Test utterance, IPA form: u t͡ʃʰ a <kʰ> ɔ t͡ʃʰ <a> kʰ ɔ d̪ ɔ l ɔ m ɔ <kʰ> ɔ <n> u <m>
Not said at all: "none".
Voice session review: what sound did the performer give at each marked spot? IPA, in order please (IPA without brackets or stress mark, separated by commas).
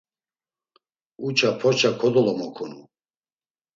pʰ, a, kʰ, n, none